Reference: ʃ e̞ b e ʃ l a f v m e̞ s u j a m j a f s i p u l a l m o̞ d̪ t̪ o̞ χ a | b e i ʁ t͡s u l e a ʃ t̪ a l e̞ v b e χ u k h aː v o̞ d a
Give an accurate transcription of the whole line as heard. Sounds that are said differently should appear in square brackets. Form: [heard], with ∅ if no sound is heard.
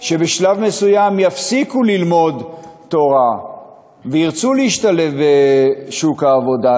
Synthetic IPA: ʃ e̞ b e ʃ l a [∅] v m e̞ s u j a m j a f s i [k] u l [i] l m o̞ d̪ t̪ o̞ [ʁ] a | [v] e i ʁ t͡s u l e [i] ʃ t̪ a l e̞ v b e [ʃ] u k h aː v o̞ d a